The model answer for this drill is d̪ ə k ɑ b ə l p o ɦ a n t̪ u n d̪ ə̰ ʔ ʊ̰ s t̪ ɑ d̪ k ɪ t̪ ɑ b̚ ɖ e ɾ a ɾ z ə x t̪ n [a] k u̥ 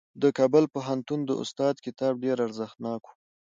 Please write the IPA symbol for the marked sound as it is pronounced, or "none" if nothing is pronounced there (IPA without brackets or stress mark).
ɑ